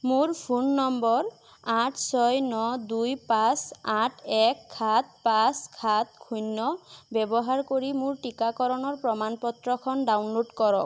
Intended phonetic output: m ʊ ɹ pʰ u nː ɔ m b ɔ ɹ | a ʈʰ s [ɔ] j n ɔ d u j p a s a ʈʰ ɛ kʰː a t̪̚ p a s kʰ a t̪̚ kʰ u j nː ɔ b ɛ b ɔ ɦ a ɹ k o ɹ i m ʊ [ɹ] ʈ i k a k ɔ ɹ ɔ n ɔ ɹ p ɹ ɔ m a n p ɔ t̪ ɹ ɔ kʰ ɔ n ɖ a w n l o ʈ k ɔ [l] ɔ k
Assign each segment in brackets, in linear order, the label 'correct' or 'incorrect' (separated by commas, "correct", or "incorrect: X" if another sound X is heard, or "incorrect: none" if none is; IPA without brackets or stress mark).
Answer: correct, correct, incorrect: ɹ